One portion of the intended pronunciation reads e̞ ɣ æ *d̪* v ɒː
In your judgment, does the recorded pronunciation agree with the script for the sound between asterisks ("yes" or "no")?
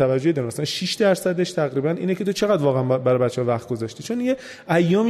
yes